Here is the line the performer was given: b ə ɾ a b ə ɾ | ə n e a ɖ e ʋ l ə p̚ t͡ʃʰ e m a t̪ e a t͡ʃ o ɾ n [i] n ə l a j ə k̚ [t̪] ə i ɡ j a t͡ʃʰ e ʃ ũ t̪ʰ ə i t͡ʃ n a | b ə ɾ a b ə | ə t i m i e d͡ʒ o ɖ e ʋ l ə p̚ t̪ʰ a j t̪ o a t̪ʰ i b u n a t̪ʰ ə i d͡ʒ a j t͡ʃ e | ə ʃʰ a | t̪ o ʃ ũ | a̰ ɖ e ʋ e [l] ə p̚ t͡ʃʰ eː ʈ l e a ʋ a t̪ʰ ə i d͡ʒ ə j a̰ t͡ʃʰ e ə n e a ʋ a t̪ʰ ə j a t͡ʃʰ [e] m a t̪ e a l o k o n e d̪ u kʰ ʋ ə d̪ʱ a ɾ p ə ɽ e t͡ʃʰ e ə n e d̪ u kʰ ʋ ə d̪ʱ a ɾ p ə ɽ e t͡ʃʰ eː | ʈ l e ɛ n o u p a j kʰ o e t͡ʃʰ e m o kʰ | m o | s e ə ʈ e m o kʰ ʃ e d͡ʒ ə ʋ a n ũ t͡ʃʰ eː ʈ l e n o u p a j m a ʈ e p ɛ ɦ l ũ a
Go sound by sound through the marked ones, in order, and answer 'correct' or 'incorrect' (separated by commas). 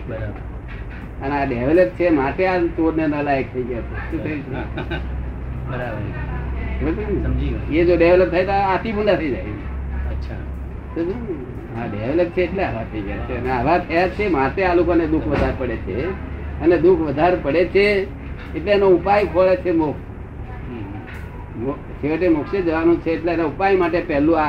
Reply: incorrect, incorrect, correct, correct